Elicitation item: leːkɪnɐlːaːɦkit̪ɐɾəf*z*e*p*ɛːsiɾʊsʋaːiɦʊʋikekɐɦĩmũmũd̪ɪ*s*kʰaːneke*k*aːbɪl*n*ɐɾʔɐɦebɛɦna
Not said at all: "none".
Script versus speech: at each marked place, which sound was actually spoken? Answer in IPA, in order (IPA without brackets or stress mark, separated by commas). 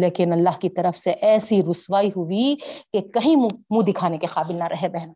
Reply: s, ʔ, none, q, n